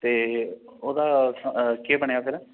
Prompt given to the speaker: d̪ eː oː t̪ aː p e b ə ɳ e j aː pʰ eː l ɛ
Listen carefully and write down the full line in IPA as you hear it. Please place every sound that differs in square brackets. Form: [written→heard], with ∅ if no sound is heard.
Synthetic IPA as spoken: [d̪→t̪] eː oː [t̪→d̪] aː [p→k] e b ə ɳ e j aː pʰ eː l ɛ